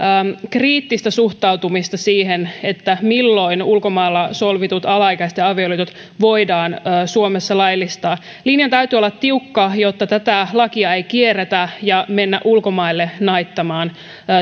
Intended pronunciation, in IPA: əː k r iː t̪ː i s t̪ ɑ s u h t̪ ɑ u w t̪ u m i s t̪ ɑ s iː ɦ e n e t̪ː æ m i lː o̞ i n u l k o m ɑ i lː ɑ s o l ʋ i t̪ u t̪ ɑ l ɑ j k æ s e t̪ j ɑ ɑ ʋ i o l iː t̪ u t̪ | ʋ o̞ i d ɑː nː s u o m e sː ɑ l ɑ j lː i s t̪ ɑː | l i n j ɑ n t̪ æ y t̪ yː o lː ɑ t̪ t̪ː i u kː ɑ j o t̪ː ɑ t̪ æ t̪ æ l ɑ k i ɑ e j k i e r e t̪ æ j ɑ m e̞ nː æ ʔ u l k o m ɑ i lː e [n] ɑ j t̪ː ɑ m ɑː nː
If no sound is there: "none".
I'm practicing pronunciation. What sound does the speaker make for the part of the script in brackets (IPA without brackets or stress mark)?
n